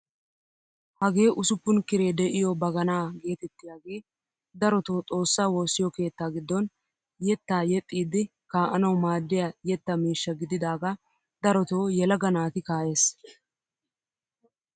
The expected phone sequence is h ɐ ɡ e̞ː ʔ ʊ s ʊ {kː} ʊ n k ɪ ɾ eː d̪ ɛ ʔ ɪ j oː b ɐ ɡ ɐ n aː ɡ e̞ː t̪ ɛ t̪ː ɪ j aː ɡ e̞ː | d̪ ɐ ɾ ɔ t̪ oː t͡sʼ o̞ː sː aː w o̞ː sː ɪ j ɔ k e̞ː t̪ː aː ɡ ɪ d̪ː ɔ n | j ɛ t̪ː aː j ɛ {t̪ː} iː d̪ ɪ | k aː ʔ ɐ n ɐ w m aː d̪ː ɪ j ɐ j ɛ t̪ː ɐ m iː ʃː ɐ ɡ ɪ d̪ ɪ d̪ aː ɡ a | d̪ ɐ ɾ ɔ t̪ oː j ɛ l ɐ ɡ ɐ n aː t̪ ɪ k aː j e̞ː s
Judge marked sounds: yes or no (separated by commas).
no, no